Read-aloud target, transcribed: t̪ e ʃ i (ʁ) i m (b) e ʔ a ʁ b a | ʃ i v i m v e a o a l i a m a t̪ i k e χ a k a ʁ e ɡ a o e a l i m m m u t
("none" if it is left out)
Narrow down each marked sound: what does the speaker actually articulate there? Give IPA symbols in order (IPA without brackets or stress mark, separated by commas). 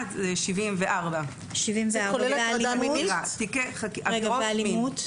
v, v